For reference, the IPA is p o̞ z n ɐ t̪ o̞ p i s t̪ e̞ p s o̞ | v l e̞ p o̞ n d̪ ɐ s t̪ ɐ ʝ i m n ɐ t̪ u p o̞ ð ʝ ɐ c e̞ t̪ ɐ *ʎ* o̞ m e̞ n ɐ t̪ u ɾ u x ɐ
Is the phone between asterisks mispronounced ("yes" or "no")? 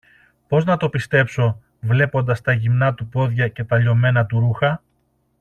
no